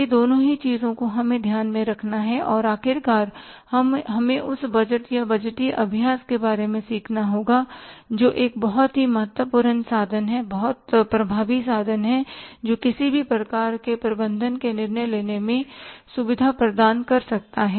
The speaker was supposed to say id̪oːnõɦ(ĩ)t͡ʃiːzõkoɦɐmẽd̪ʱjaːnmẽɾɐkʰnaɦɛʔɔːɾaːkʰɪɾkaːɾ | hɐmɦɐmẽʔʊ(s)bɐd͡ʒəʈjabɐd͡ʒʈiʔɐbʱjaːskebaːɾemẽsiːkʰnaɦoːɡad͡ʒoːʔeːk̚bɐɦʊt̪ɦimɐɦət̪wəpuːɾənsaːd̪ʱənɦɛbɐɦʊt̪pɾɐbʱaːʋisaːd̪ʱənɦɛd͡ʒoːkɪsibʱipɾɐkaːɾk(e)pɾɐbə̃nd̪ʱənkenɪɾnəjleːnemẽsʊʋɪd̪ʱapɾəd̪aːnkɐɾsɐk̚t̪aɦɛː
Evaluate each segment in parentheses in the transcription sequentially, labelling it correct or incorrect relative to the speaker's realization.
incorrect: i, correct, correct

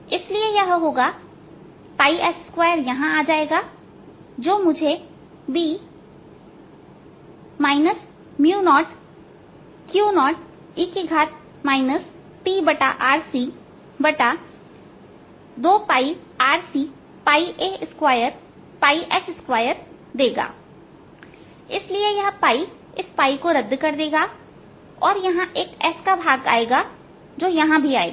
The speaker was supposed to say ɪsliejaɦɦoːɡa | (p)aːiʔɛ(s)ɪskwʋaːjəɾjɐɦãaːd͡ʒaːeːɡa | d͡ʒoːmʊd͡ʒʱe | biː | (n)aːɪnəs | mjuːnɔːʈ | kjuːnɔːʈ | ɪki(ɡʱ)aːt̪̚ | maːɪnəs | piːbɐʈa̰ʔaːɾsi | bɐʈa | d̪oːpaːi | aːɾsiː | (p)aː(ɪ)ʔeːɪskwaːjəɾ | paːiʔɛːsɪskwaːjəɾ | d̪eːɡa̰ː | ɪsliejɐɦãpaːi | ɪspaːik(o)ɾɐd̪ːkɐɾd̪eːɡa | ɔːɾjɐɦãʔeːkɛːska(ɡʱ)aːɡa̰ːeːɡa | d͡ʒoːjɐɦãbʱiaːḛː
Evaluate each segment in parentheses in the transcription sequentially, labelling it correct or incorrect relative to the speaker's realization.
correct, correct, incorrect: m, correct, correct, incorrect: i, correct, incorrect: bʱ

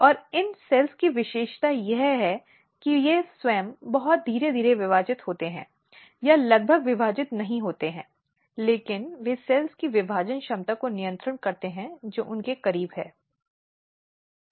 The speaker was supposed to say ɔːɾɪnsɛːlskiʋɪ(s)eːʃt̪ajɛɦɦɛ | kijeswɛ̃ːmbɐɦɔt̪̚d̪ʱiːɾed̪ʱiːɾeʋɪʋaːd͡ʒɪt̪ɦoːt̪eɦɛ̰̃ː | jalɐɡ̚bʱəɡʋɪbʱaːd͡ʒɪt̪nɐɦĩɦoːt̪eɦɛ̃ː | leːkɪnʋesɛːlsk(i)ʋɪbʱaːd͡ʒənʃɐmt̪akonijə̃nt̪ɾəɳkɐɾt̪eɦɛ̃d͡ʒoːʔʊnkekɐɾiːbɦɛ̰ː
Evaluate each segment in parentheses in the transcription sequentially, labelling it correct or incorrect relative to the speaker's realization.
incorrect: ʃ, correct

